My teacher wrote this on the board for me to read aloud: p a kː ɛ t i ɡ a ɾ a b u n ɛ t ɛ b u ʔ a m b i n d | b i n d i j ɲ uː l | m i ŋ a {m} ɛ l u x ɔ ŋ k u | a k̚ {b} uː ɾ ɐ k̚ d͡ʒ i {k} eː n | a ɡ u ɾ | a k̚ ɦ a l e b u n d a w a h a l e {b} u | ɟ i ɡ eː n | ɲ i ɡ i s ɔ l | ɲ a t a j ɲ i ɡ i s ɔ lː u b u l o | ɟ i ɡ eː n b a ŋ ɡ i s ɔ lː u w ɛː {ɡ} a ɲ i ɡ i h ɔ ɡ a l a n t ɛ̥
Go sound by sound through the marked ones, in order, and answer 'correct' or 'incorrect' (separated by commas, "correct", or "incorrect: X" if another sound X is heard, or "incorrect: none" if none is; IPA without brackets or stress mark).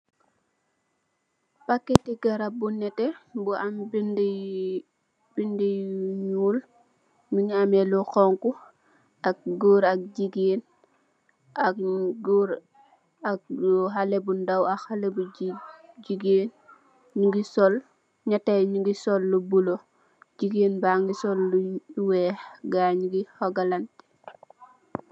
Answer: correct, incorrect: ɡ, incorrect: ɡ, correct, correct